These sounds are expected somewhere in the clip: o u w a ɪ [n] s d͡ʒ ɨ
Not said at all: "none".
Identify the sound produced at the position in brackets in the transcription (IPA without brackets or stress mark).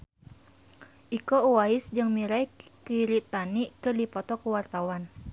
none